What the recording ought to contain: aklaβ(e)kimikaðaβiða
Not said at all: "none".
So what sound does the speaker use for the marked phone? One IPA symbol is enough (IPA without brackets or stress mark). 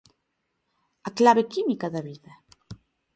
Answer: e